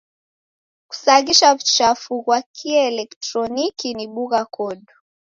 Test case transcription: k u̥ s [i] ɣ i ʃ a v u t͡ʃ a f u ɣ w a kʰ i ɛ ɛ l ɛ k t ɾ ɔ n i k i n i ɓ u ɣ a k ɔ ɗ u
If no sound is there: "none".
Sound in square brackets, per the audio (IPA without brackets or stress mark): a